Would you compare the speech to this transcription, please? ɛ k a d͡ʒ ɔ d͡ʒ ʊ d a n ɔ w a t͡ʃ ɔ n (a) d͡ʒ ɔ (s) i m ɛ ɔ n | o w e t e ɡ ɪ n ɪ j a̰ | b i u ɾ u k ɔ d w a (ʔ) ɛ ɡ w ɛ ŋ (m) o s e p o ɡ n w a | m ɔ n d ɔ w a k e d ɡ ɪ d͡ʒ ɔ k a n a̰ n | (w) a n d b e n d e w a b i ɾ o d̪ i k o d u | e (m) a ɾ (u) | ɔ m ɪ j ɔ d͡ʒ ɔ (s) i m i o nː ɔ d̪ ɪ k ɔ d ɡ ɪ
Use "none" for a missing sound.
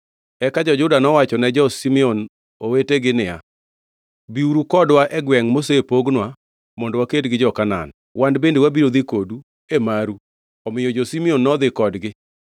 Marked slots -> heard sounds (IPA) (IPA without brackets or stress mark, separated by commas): ɛ, s, ʔ, m, w, m, u, s